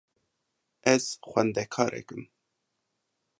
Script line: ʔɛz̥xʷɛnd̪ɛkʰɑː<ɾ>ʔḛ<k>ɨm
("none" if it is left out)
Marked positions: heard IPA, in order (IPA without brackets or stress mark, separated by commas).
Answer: ɾ, k